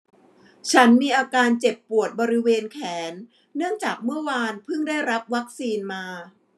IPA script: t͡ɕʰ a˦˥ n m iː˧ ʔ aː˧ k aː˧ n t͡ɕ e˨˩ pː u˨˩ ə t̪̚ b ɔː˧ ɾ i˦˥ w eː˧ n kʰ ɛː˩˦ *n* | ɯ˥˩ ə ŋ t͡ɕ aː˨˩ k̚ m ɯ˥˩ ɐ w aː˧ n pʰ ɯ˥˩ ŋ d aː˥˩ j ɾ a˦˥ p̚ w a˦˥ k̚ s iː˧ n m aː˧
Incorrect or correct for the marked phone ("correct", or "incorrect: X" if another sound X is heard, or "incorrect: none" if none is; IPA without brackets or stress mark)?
incorrect: nː